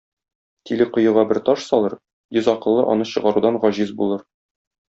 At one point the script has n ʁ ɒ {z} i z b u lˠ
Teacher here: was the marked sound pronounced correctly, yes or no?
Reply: no